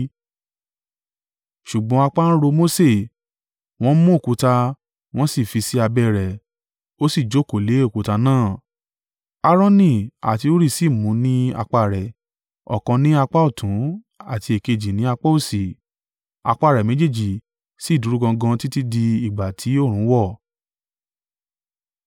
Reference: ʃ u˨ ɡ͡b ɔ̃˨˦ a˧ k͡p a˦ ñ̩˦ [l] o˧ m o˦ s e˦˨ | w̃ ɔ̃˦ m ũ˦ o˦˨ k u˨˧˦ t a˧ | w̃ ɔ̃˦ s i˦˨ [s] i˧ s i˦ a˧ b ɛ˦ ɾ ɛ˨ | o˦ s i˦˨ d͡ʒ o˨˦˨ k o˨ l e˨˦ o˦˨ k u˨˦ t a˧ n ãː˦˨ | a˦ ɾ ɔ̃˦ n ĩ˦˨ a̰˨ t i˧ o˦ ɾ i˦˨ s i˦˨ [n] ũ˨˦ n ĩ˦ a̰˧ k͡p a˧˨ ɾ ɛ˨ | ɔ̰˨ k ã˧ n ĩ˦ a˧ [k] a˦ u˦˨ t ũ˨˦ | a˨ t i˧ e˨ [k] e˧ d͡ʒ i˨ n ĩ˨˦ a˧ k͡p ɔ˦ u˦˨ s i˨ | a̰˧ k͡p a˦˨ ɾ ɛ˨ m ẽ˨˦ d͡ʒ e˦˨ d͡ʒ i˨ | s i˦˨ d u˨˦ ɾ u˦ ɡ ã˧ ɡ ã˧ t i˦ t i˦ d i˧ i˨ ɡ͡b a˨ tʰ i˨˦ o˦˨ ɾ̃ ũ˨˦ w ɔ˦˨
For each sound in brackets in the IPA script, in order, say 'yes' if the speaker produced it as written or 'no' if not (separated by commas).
no, no, no, no, yes